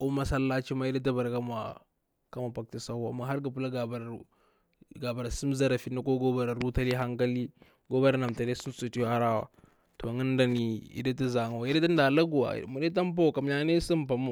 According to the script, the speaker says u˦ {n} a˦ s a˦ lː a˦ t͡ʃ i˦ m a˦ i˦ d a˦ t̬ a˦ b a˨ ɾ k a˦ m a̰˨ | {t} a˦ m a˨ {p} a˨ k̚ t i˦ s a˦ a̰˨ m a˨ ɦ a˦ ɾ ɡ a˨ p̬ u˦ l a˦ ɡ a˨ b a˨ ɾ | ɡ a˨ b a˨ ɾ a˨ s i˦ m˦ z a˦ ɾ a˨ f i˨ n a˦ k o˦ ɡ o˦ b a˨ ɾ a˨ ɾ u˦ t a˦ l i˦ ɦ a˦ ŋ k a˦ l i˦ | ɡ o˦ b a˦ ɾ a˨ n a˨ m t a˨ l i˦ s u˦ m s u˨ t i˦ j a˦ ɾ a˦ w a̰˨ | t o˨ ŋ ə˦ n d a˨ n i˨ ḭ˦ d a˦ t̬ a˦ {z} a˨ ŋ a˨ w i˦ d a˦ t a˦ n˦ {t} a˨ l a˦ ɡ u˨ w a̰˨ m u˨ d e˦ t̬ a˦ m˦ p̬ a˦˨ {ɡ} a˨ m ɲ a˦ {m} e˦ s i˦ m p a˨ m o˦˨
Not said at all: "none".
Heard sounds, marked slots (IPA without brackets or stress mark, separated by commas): m, k, p, z, d, k, n